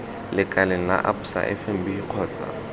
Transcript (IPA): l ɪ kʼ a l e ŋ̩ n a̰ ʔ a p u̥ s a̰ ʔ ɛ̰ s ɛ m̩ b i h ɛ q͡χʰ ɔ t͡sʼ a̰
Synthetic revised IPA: l ɪ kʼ a l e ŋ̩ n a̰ ʔ a p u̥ s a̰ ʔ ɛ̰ f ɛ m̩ b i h i q͡χʰ ɔː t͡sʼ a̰